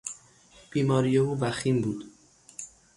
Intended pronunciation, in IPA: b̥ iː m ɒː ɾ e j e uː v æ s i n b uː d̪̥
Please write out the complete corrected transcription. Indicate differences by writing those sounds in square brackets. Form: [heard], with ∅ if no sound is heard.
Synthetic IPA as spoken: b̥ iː m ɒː ɾ [i] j e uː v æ [x] i [m] b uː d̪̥